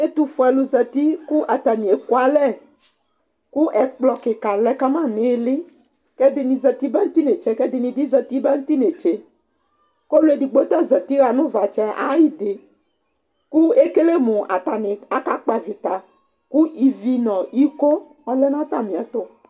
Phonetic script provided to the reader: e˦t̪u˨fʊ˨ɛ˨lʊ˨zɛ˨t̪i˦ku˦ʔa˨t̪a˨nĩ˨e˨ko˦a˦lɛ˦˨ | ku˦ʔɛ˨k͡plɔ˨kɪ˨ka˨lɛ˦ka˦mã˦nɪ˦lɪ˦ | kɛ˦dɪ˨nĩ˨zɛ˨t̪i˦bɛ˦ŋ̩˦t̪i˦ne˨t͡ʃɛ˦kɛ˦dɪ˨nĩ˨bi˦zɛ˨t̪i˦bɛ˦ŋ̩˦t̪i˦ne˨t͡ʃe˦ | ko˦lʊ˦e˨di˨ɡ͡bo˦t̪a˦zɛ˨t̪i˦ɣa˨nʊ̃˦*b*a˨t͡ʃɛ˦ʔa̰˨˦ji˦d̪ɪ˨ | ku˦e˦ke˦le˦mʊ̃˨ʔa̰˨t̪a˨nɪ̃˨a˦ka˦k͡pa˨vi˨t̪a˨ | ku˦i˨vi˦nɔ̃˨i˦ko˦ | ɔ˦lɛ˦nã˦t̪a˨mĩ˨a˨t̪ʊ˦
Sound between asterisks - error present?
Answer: yes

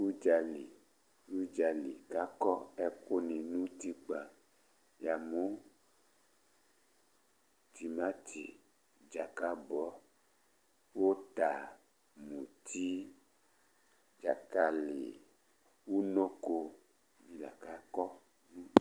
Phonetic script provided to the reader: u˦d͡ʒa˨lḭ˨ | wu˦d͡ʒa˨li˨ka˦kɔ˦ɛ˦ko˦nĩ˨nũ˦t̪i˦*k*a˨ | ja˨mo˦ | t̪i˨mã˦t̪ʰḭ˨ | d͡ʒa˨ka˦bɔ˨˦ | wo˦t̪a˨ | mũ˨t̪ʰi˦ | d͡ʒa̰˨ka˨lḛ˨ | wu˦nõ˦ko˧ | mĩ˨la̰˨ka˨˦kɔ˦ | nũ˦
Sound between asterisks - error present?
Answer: yes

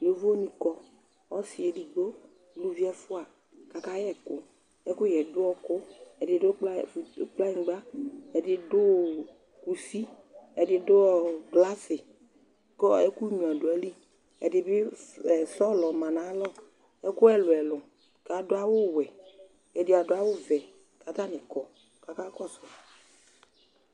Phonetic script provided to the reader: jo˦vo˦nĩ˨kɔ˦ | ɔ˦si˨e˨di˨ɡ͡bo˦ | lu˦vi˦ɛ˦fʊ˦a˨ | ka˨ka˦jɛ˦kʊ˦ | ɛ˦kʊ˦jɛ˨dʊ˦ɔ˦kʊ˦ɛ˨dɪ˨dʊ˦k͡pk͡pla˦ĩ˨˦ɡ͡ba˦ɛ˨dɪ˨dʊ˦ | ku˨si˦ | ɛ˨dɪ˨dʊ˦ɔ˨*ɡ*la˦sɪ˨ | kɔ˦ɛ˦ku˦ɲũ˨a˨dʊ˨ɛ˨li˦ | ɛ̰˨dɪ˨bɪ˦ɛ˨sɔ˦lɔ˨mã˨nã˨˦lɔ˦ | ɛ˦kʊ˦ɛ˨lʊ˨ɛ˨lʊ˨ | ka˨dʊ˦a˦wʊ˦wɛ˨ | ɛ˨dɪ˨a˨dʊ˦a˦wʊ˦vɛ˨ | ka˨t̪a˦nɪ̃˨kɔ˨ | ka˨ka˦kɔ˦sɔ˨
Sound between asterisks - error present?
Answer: no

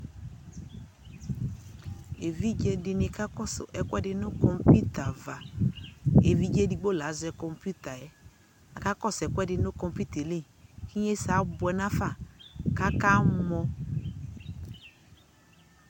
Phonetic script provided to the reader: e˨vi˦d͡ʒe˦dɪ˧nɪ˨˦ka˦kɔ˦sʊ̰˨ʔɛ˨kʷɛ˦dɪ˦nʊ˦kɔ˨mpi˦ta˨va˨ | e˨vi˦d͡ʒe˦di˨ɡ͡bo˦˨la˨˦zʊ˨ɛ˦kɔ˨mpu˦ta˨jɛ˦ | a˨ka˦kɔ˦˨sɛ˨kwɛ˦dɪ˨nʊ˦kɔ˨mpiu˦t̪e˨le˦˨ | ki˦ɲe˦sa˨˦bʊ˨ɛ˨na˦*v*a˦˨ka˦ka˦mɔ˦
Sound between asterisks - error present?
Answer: yes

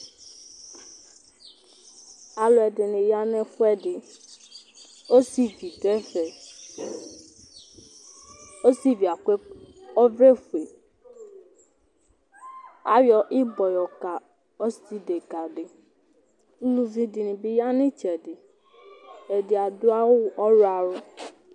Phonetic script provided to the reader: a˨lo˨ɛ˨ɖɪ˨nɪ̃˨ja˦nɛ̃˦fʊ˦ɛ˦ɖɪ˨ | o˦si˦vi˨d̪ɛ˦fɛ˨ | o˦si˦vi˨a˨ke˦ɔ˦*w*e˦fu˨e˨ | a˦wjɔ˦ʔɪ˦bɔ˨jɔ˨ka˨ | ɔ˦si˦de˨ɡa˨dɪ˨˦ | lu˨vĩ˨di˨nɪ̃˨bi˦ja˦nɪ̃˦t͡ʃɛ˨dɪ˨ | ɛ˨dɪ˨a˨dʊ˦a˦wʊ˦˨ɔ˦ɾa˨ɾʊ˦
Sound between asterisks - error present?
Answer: yes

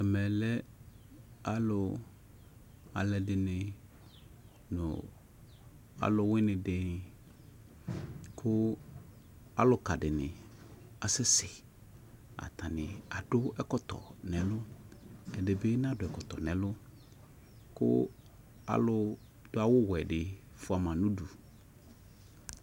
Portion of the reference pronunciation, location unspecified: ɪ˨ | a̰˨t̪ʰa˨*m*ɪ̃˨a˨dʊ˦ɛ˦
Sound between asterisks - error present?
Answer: yes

